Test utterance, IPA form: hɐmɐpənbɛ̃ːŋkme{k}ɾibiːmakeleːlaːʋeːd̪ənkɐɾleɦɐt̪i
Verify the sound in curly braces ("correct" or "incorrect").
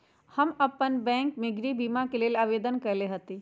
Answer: incorrect